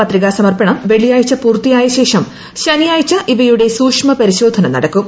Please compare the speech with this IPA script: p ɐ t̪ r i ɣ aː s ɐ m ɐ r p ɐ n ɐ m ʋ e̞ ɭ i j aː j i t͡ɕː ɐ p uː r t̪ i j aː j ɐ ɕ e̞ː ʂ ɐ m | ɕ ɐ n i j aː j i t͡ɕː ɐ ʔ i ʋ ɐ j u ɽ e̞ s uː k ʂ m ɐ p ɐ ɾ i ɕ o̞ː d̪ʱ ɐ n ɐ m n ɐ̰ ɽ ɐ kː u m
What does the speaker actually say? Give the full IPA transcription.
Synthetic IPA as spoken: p ɐ t̪ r i ɣ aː s ɐ m ɐ r p ɐ ɳ ɐ m ʋ e̞ ɭ i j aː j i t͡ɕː ɐ p uː r t̪ i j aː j ɐ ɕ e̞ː ʂ ɐ m | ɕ ɐ n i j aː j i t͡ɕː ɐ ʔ i ʋ ɐ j u ɽ e̞ s uː k ʂ m ɐ p ɐ ɾ i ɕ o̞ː d̪ʱ ɐ n ɐ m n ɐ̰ ɽ ɐ kː u m